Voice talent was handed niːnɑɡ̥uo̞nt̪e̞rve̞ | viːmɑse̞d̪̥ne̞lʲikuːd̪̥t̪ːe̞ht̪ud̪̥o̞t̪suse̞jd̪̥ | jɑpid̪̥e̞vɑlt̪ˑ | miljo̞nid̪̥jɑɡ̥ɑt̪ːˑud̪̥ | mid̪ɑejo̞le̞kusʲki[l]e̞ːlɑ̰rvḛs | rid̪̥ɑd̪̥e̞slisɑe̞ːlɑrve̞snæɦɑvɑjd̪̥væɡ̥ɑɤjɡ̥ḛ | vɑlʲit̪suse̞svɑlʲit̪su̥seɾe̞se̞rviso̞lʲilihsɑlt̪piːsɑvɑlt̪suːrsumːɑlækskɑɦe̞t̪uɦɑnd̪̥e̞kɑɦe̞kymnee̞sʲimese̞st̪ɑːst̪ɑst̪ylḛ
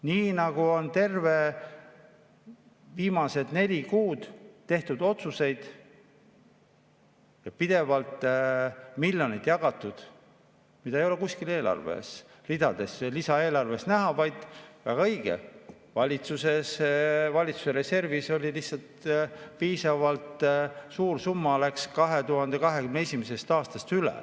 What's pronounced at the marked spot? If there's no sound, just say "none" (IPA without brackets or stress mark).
l